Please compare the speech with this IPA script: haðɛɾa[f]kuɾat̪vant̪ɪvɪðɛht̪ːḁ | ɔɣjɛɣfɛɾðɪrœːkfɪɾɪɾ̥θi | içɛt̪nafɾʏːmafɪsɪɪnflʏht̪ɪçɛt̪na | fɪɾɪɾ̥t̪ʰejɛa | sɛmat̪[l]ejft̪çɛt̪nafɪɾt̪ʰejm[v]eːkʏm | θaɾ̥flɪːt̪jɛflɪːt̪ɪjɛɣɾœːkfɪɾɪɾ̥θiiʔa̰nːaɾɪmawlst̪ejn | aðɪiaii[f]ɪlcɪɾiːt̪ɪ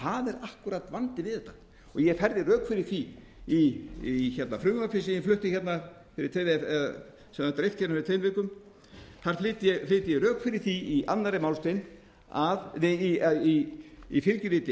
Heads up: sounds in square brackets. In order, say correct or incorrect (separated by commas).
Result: incorrect, incorrect, correct, correct